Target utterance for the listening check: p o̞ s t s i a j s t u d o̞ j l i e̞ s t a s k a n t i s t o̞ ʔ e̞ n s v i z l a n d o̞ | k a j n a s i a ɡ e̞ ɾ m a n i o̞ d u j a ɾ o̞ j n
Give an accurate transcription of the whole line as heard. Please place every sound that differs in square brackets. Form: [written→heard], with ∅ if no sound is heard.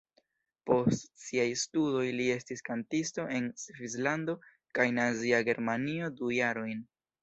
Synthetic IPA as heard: p o̞ s t s i a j s t u d o̞ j l i e̞ s t [a→i] s k a n t i s t o̞ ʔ e̞ n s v i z l a n d o̞ | k a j n a [s→z] i a ɡ e̞ ɾ m a n i o̞ d u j a ɾ o̞ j n